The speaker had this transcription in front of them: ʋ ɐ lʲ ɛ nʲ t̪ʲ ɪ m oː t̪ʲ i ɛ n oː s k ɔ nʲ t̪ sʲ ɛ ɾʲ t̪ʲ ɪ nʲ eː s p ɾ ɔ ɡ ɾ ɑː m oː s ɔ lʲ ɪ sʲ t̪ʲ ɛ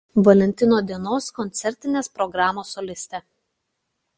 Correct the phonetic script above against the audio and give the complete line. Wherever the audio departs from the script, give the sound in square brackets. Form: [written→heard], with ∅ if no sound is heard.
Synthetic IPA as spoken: ʋ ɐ lʲ ɛ nʲ t̪ʲ ɪ [m→n] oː [t̪ʲ→d̪ʲ] i ɛ n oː s k ɔ nʲ t̪ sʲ ɛ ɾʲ t̪ʲ ɪ nʲ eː s p ɾ ɔ ɡ ɾ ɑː m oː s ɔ lʲ ɪ sʲ t̪ʲ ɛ